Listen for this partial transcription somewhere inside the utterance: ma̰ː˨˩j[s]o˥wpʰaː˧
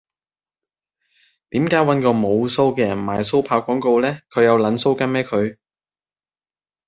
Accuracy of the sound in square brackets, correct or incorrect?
correct